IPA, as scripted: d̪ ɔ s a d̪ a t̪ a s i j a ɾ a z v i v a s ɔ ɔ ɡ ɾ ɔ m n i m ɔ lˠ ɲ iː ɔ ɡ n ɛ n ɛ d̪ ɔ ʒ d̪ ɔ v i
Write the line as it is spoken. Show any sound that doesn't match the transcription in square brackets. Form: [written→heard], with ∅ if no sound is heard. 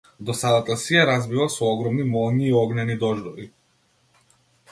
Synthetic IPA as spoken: d̪ ɔ s a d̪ a t̪ a s i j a ɾ a z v i v a s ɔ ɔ ɡ ɾ ɔ m n i m ɔ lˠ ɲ iː ɔ ɡ n ɛ n [ɛ→i] d̪ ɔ ʒ d̪ ɔ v i

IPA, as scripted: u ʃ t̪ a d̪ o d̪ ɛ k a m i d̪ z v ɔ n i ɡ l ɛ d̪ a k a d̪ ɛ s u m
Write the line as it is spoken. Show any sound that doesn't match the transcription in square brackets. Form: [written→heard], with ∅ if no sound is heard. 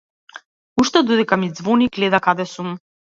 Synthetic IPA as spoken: u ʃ t̪ [a→ɛ] d̪ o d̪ ɛ k a m i d̪ z v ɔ n i ɡ l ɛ d̪ a k a d̪ ɛ s u m

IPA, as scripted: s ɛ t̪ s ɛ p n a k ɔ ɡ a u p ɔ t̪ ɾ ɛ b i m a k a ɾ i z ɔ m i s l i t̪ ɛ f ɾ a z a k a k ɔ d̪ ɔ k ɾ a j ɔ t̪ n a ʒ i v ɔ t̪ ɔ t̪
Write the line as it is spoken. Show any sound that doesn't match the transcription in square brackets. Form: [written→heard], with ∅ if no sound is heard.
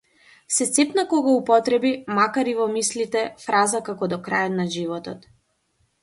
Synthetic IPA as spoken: s ɛ t̪ s ɛ p n a k ɔ ɡ a u p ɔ t̪ ɾ ɛ b i m a k a ɾ i [z→v] ɔ m i s l i t̪ ɛ f ɾ a z a k a k ɔ d̪ ɔ k ɾ a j ɔ t̪ n a ʒ i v ɔ t̪ ɔ t̪

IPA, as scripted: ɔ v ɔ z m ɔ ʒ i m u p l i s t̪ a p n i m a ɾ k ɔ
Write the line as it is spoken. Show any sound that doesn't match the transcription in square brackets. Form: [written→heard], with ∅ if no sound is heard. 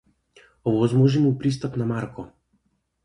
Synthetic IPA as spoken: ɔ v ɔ z m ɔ ʒ i m u p [l→ɾ] i s t̪ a p n [i→a] m a ɾ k ɔ

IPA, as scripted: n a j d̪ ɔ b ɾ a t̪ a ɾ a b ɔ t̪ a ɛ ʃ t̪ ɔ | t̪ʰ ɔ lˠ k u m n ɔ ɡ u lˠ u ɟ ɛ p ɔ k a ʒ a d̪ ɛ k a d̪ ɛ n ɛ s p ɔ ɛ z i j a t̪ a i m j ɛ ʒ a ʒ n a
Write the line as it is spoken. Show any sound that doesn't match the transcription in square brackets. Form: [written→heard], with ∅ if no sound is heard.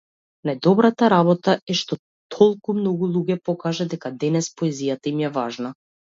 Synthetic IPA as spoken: n a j d̪ ɔ b ɾ a t̪ a ɾ a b ɔ t̪ a ɛ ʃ t̪ ɔ | t̪ʰ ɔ lˠ k u m n ɔ ɡ u lˠ u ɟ ɛ p ɔ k a ʒ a d̪ ɛ k a d̪ ɛ n ɛ s p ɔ ɛ z i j a t̪ a i m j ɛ [ʒ→v] a ʒ n a

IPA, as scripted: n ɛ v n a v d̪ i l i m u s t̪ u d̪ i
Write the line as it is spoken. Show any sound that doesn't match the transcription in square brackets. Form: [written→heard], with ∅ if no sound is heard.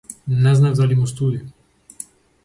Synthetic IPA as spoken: n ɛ [v→z] n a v d̪ [i→a] l i m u s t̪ u d̪ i

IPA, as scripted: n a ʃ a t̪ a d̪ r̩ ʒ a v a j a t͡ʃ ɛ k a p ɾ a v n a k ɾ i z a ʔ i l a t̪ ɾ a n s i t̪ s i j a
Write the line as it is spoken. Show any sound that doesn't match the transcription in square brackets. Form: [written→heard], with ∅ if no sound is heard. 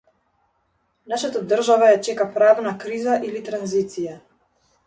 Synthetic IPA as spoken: n a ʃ a t̪ a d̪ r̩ ʒ a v a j a t͡ʃ ɛ k a p ɾ a v n a k ɾ i z a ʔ i l [a→i] t̪ ɾ a n [s→z] i t̪ s i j a

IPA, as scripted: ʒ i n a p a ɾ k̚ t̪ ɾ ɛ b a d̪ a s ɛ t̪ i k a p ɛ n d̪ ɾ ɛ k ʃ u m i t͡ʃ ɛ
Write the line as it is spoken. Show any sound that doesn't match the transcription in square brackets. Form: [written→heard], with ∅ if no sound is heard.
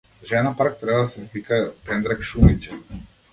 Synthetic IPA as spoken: ʒ [i→ɛ] n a p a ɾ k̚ t̪ ɾ ɛ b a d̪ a s ɛ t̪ i k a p ɛ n d̪ ɾ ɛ k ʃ u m i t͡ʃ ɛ

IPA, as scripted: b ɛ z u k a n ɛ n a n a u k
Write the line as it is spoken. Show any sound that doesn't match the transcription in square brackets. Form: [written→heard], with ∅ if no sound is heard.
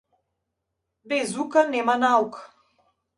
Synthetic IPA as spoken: b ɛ z u k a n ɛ [n→m] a n a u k

